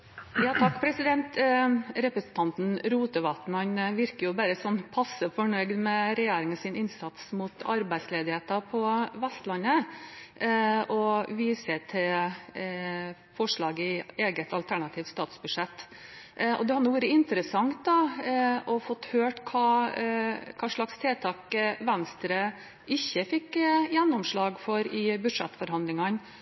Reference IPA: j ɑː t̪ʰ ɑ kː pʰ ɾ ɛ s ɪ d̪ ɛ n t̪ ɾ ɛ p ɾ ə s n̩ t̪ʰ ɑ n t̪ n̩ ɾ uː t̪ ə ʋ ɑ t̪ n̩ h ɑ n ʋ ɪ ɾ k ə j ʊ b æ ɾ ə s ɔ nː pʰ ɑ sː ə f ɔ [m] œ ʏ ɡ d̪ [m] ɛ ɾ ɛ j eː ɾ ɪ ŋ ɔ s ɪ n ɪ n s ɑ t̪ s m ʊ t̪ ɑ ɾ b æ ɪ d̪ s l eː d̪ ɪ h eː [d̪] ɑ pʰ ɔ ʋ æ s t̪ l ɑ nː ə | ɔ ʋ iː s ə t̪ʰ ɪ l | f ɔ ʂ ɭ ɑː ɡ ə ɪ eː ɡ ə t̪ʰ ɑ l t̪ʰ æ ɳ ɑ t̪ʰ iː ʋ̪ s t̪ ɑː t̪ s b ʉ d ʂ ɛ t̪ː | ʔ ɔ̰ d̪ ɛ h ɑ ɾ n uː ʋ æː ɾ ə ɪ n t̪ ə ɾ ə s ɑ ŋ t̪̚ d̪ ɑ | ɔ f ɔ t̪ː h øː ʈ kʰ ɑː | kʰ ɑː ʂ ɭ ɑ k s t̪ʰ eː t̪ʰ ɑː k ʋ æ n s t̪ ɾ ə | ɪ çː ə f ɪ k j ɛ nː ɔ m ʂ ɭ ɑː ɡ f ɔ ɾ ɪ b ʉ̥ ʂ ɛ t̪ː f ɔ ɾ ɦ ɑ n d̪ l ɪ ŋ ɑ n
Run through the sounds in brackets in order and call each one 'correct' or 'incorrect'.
incorrect, correct, incorrect

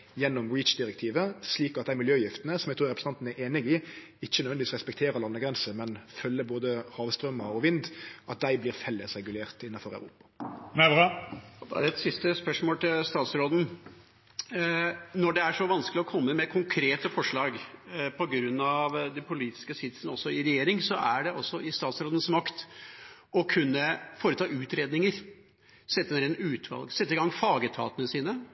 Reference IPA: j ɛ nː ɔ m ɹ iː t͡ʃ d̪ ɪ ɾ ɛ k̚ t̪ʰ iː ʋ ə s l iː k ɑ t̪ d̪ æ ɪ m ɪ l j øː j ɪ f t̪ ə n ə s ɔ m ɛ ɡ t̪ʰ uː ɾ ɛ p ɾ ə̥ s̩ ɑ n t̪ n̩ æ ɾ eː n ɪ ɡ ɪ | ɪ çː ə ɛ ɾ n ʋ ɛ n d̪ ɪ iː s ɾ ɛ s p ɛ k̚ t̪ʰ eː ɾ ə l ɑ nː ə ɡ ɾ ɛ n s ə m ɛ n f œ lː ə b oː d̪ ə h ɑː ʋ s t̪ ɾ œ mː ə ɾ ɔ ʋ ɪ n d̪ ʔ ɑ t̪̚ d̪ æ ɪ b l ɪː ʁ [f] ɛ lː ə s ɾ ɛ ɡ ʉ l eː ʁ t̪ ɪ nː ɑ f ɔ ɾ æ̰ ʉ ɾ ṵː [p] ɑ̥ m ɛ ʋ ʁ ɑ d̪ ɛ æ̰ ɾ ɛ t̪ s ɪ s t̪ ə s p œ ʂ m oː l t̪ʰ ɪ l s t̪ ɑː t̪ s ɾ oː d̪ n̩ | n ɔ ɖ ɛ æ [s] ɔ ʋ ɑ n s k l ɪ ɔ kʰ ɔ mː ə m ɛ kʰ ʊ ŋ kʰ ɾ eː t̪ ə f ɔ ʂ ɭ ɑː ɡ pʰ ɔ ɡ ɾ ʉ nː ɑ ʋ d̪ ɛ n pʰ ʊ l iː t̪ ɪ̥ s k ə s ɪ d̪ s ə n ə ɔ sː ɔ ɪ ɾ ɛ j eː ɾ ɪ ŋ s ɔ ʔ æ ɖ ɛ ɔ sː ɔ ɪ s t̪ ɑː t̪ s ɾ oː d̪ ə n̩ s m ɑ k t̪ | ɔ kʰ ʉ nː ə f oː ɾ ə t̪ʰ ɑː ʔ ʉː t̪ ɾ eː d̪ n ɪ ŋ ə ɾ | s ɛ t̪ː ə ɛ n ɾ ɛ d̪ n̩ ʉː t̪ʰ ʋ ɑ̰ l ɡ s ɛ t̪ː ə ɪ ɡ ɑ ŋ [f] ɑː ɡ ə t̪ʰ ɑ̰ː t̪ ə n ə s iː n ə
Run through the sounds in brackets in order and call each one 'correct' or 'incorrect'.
correct, correct, incorrect, correct

